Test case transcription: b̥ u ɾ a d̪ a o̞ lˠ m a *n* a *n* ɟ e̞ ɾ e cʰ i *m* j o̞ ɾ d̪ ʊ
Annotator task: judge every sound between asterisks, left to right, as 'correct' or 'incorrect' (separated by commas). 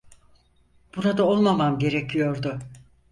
incorrect, incorrect, incorrect